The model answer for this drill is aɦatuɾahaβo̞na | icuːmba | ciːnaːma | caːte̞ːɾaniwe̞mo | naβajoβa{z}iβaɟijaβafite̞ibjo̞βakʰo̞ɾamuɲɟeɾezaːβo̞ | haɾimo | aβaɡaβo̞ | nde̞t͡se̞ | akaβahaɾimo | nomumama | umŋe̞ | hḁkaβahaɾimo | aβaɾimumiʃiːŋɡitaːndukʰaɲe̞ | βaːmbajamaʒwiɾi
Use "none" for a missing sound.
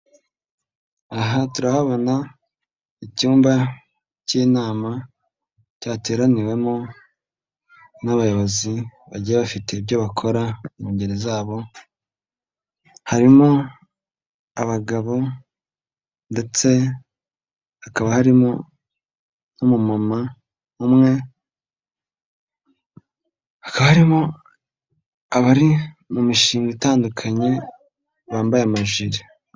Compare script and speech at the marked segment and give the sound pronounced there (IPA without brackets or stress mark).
z